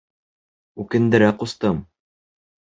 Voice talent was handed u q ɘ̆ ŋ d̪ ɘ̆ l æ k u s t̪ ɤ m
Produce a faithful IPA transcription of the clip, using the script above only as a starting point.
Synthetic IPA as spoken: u k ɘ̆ n d̪ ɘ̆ ɾ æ q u s t̪ ɤ m